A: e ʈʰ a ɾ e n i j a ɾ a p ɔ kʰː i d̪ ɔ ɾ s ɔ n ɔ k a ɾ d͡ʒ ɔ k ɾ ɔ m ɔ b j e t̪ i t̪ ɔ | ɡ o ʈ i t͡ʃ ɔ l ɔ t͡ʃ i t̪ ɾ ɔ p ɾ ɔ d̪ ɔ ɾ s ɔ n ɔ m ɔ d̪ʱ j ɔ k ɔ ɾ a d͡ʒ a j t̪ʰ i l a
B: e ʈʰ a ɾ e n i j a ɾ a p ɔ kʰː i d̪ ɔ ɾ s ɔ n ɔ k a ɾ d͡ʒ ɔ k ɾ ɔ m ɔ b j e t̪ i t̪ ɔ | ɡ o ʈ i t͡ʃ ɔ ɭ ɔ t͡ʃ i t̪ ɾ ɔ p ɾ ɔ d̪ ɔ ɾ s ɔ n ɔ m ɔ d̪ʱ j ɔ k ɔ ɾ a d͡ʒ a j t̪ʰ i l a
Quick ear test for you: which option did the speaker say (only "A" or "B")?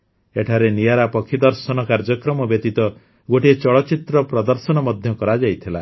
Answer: B